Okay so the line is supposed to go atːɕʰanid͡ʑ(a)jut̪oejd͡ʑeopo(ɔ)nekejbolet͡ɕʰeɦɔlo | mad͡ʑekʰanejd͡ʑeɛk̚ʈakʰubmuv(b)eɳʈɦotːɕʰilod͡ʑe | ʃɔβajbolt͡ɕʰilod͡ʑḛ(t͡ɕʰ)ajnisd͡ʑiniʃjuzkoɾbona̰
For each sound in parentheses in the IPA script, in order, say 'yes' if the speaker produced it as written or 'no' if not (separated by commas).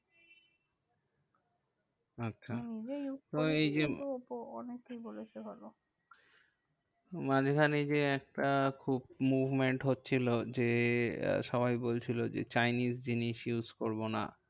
no, yes, no, no